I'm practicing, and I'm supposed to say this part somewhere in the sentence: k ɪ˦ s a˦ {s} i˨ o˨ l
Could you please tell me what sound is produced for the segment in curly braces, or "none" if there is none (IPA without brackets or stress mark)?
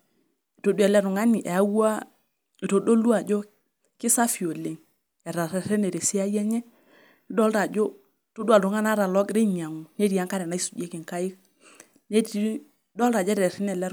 f